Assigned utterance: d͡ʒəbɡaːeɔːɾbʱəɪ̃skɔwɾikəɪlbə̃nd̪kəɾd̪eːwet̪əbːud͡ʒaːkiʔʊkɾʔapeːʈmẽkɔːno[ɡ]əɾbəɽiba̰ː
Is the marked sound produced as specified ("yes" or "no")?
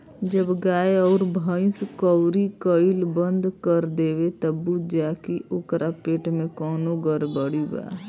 yes